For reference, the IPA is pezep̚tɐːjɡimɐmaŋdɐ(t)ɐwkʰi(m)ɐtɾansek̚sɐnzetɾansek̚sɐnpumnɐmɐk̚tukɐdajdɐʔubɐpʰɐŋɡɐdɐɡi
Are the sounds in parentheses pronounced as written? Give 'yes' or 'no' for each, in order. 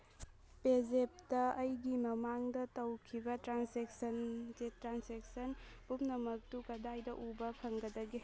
yes, no

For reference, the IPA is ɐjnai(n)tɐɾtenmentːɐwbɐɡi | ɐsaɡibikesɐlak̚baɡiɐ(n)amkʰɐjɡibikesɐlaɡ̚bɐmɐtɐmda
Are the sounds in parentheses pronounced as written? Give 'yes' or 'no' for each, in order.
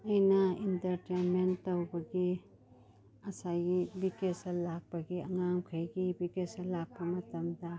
yes, no

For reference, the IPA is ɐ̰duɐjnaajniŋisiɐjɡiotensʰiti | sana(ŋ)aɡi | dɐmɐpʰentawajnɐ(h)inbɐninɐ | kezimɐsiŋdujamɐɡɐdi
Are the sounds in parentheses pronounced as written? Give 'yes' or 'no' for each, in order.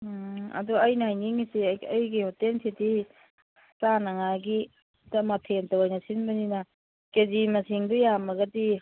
yes, no

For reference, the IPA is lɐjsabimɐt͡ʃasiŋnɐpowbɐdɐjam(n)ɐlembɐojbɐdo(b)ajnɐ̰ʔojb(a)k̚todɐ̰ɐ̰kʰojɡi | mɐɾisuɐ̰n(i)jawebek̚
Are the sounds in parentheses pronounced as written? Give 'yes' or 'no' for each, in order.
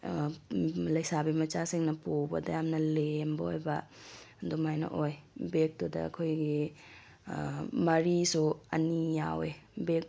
yes, no, no, yes

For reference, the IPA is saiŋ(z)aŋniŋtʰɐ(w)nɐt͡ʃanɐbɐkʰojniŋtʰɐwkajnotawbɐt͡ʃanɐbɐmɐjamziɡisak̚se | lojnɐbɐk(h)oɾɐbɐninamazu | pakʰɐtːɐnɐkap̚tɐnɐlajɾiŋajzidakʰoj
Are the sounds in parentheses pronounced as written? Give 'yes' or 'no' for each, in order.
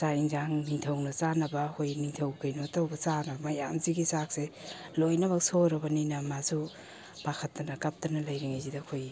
yes, yes, no

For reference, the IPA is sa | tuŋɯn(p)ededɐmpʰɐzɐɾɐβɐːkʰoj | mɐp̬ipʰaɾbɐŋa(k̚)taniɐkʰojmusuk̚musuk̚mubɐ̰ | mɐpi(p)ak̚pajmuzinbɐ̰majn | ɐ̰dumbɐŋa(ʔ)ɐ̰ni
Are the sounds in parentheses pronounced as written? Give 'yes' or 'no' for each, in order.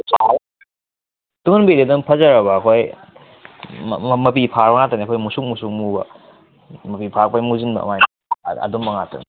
no, no, no, no

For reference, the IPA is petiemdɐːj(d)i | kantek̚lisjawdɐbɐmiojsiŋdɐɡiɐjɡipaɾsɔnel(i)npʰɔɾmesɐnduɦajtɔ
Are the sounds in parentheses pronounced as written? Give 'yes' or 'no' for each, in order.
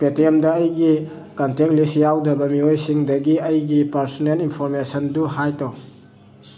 no, yes

